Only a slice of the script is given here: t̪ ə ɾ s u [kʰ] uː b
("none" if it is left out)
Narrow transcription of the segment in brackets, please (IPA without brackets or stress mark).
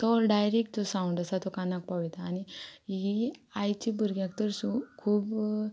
kʰ